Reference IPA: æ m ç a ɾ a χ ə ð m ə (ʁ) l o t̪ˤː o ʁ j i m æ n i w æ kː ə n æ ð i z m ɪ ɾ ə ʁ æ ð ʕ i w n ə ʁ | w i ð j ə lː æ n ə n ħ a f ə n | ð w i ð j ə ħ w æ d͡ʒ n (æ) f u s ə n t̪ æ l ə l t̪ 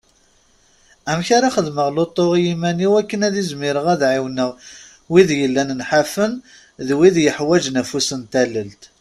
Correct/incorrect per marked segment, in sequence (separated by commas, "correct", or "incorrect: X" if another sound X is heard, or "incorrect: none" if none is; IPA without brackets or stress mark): correct, correct